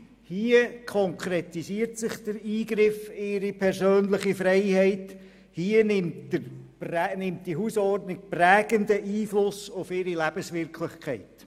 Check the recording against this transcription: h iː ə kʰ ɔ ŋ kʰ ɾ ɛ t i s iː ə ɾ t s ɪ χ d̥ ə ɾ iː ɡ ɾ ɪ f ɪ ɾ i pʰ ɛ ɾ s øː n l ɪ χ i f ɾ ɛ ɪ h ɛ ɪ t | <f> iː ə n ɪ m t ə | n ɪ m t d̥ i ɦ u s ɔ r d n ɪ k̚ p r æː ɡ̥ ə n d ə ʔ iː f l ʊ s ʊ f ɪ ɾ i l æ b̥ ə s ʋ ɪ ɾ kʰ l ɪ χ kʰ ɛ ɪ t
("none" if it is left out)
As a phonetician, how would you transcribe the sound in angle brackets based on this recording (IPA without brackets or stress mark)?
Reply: h